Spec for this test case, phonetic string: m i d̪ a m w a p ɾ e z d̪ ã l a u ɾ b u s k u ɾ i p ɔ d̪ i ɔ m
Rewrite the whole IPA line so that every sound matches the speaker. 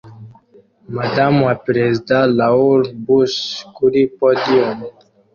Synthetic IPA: m a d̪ a m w a p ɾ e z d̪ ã l a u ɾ b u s k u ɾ i p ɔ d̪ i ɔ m